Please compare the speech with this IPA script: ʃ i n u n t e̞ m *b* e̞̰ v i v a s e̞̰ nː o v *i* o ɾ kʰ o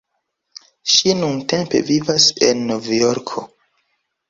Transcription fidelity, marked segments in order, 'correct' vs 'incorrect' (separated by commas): incorrect, incorrect